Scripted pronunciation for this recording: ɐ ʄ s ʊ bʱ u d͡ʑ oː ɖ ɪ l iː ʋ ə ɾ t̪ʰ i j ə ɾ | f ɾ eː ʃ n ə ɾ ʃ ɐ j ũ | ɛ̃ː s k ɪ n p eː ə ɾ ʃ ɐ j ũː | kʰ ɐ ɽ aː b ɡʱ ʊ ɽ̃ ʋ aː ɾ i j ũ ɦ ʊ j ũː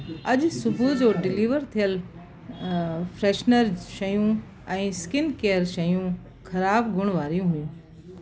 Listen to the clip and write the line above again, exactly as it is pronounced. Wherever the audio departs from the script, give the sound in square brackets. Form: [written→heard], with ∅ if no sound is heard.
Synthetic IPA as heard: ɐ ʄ s ʊ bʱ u d͡ʑ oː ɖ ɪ l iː ʋ ə ɾ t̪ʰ i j ə [ɾ→l] | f ɾ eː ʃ n ə ɾ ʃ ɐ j ũ | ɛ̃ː s k ɪ n [p→k] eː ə ɾ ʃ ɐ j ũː | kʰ ɐ [ɽ→ɾ] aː b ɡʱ ʊ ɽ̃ ʋ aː ɾ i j ũ ɦ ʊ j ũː